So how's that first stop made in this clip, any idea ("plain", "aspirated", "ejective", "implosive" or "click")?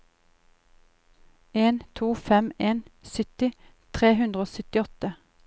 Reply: aspirated